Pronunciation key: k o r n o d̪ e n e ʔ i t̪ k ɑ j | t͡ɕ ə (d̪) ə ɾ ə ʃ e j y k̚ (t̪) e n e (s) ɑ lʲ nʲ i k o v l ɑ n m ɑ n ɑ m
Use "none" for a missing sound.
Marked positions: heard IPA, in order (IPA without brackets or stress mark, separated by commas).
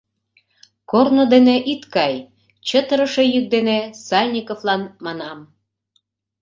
t̪, d̪, s